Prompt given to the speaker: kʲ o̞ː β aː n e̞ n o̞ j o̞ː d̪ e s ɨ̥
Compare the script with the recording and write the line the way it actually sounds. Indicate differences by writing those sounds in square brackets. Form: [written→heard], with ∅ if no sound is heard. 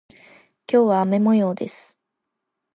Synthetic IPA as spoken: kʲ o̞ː β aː [n→m] e̞ [n→m] o̞ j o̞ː d̪ e s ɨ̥